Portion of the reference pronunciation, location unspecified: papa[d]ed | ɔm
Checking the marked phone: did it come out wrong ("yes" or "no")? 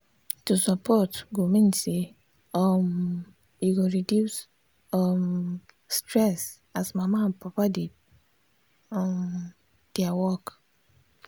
no